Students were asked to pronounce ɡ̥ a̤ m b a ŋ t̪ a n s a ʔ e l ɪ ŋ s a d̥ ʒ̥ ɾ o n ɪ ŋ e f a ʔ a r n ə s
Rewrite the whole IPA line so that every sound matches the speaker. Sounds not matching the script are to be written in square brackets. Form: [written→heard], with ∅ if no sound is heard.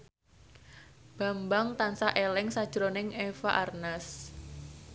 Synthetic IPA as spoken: [ɡ̥→b̥] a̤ m b a ŋ t̪ a n s a ʔ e l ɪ ŋ s a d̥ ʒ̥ ɾ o n ɪ ŋ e f a ʔ a r n [ə→a] s